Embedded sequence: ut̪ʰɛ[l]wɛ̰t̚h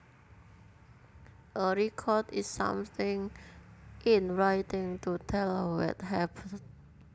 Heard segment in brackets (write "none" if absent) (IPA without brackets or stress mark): l